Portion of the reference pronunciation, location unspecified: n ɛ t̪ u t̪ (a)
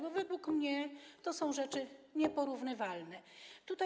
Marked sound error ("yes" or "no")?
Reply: no